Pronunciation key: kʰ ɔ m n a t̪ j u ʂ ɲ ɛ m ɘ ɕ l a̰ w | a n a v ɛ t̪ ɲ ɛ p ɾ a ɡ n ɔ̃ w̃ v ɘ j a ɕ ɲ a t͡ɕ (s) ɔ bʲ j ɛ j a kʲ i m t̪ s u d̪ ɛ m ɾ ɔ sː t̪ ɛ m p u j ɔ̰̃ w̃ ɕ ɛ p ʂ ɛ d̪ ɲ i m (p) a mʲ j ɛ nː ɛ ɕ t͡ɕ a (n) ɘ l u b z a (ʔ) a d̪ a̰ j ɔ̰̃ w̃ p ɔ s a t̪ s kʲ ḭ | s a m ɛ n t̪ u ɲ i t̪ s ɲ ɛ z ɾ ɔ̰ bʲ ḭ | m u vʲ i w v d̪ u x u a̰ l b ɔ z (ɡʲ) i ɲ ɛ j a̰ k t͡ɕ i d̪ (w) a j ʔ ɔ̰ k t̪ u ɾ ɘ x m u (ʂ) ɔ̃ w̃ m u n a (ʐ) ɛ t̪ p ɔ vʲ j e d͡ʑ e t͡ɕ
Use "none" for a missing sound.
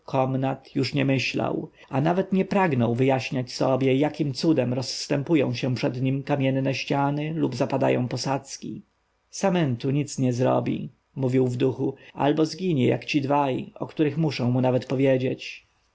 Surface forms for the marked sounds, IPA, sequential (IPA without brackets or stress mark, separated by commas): s, k, n, p, ɡʲ, v, ʂ, v